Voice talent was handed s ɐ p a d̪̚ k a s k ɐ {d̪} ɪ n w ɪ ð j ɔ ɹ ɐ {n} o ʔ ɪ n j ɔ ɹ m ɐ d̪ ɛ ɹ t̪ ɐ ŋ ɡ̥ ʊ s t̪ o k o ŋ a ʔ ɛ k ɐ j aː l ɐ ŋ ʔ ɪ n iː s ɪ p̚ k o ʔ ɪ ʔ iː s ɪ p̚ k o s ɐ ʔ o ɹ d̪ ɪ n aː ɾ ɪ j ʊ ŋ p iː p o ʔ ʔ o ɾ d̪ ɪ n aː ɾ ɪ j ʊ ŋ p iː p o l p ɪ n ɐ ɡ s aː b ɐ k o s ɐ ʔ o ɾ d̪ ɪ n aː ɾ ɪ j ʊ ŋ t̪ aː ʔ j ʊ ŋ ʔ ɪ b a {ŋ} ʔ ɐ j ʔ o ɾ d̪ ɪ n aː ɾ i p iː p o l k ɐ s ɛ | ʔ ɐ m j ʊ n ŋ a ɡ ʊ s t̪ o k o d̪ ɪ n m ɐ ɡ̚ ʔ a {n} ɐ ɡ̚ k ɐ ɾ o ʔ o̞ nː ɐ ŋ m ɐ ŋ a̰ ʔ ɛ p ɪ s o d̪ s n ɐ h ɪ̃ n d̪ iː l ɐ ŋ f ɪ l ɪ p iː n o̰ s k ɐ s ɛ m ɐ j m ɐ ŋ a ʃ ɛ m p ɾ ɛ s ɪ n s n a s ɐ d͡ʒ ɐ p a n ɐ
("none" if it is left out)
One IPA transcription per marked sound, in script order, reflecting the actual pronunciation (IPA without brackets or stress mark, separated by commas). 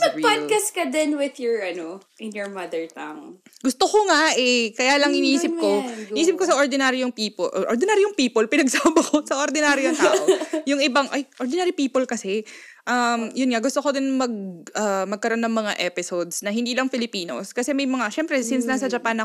d̪, n, ŋ, m